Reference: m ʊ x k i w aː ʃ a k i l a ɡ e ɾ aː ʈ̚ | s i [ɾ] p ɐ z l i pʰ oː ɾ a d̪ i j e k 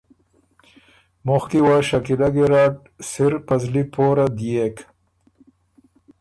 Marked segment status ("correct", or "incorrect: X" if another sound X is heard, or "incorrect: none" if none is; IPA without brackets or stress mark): correct